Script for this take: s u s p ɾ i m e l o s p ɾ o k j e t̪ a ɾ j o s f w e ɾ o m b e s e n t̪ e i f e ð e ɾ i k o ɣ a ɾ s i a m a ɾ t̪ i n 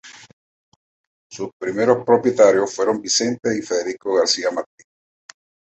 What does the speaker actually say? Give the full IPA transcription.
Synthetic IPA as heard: s u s p ɾ i m e ɾ o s p ɾ o p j e t̪ a ɾ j o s f w e ɾ o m b i s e n t̪ e i f e ð e ɾ i k o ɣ a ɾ s i a m a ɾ t̪ i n